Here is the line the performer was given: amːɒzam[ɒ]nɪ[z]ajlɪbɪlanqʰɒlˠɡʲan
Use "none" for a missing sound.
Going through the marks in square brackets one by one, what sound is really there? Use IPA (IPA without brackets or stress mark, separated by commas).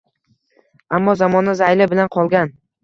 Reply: ɒ, z